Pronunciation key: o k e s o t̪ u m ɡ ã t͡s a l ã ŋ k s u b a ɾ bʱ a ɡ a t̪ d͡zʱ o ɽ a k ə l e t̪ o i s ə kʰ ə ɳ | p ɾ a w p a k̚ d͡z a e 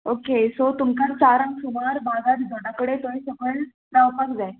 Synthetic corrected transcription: o k e s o t̪ u m k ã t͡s a ɾ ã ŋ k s u m a ɾ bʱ a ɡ a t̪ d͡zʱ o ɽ a k ə ɽ e t̪ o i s ə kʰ ə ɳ | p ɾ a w p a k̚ d͡z a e

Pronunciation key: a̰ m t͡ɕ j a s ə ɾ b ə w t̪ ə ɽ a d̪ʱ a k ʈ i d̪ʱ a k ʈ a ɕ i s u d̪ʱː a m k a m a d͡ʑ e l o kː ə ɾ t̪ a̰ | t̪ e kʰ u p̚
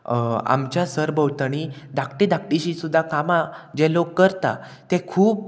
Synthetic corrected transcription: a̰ m t͡ɕ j a s ə ɾ b ə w t̪ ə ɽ i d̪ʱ a k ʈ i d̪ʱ a k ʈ i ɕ i s u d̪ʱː a k a m a d͡ʑ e l o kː ə ɾ t̪ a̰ | t̪ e kʰ uː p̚

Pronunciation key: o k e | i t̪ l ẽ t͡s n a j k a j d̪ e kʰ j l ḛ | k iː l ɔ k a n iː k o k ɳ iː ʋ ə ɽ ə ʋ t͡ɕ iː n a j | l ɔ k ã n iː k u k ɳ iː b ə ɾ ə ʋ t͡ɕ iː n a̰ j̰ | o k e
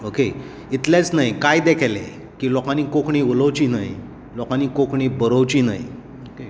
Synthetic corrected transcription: o k e | i t̪ l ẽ t͡s n a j k a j d̪ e kʰ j l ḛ | k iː l ɔ k a n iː k o k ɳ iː ʋ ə l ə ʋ t͡ɕ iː n a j | l ɔ k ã n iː k o k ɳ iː b ə ɾ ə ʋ t͡ɕ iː n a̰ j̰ | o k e

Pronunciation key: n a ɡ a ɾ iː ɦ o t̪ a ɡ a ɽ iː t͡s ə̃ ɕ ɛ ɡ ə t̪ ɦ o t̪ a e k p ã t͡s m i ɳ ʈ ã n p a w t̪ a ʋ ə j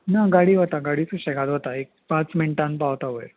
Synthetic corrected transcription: n a ɡ a ɽ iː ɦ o t̪ a ɡ a ɽ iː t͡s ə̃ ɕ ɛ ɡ a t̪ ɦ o t̪ a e k p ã t͡s m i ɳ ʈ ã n p a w t̪ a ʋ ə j

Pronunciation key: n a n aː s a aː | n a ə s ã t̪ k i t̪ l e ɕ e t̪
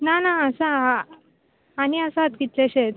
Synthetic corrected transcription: n a n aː s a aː | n i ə s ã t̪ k i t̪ l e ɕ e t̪

